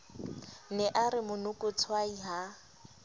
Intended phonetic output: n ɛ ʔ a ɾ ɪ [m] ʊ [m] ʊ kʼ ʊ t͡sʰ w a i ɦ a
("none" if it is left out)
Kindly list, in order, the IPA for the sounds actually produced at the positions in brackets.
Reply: m, n

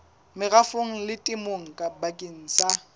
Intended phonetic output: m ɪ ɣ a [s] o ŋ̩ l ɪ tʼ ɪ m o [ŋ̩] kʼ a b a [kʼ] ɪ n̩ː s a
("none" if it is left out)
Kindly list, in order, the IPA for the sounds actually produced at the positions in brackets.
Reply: f, ŋ̩, kʼ

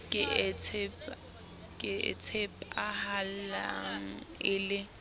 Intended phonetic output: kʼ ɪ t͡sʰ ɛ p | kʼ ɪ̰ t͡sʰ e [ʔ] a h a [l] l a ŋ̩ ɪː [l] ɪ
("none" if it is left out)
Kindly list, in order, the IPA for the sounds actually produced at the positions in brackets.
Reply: p, l, l

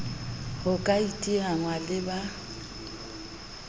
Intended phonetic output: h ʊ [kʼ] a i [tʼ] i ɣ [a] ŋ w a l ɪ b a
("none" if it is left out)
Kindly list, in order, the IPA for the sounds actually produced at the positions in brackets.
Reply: kʼ, tʼ, a

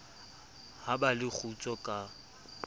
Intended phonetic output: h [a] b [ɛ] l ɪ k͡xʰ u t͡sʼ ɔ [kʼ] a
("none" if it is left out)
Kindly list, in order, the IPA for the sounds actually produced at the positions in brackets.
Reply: a, a, kʼ

